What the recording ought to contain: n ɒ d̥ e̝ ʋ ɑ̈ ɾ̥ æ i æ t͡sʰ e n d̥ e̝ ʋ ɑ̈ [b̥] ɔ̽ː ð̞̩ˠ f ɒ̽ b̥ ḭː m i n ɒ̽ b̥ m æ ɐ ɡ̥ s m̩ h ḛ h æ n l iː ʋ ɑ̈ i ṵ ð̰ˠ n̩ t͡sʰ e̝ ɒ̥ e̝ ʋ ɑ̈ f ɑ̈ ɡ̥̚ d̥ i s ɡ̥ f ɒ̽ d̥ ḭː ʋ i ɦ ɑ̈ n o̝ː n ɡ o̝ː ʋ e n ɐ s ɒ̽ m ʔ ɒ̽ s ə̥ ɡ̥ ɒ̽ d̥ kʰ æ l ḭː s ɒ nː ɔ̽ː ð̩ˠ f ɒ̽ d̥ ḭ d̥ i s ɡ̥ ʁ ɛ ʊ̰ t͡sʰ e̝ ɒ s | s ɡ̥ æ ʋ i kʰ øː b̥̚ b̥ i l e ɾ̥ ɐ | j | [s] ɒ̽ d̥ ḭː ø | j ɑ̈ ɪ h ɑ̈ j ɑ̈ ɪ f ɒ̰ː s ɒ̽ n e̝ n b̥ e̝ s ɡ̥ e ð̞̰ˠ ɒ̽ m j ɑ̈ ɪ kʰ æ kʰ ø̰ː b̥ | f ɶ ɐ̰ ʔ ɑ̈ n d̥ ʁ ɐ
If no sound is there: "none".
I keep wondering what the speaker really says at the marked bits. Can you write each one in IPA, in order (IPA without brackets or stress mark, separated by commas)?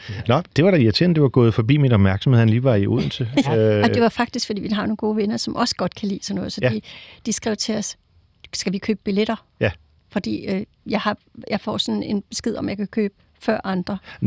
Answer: ɡ̥, f